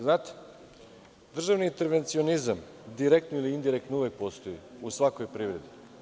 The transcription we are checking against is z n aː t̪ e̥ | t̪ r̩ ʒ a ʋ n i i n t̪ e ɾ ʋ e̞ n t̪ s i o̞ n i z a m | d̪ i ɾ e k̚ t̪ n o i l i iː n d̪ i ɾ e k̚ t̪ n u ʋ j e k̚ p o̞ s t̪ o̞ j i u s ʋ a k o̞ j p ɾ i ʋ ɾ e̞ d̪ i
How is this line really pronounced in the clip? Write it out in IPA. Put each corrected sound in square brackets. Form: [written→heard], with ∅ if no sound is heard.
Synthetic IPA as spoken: z n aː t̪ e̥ | [t̪→d̪] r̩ ʒ a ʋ n i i n t̪ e ɾ ʋ e̞ n t̪ s i o̞ n i z a m | d̪ i ɾ e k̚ t̪ n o i l i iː n d̪ i ɾ e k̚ t̪ n u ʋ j e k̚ p o̞ s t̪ o̞ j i u s ʋ a k o̞ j p ɾ i ʋ ɾ e̞ d̪ i